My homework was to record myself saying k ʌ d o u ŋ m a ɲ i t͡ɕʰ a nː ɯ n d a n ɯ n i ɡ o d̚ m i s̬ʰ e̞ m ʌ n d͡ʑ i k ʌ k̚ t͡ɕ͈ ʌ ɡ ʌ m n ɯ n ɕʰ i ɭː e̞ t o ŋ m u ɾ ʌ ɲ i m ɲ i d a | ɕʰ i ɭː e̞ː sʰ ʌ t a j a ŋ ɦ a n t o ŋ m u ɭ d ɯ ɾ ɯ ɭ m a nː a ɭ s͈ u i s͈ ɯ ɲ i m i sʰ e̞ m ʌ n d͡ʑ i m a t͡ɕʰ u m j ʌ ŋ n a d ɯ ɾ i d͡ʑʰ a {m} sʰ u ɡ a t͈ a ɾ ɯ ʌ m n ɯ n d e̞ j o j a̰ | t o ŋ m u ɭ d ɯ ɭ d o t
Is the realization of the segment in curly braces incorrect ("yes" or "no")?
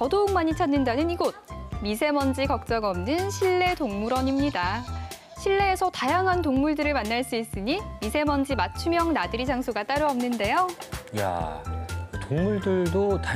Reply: yes